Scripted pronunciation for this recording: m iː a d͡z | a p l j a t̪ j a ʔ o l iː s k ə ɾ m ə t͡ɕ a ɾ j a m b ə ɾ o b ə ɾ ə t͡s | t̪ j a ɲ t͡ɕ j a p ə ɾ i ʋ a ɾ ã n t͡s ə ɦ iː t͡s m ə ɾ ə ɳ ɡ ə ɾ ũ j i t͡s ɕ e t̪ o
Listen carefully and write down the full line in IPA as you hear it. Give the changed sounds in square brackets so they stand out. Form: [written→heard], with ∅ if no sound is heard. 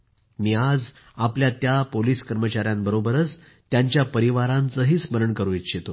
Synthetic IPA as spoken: m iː a d͡z | a p l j a t̪ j a [ʔ→p] o l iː s k ə ɾ m ə t͡ɕ a ɾ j a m b ə ɾ o b ə ɾ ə t͡s | t̪ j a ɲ t͡ɕ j a p ə ɾ i ʋ a ɾ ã n t͡s ə ɦ iː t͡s m ə ɾ ə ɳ [ɡ→k] ə ɾ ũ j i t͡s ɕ e t̪ o